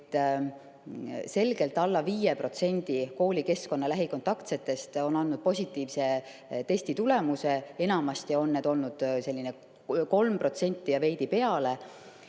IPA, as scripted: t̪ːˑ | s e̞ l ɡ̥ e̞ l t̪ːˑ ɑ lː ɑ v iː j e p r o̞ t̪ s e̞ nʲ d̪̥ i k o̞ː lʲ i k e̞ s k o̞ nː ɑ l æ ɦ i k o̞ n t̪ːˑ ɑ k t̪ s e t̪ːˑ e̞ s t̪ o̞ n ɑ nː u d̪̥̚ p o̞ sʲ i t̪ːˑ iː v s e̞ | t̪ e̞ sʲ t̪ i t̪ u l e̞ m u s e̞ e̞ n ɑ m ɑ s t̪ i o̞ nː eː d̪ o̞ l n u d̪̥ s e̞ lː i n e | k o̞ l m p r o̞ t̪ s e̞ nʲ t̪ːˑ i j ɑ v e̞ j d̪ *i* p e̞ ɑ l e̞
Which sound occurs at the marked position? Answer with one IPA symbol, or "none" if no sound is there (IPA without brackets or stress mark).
i